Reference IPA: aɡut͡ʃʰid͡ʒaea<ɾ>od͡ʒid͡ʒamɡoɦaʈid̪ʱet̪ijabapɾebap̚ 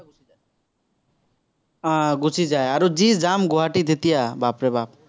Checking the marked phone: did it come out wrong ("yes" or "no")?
no